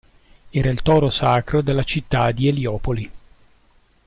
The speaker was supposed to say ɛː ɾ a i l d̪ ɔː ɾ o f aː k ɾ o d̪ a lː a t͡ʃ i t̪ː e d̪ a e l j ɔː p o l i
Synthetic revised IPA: ɛː ɾ a i l t̪ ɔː ɾ o s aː k ɾ o d̪ e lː a t͡ʃ i t̪ː a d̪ i e l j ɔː p o l i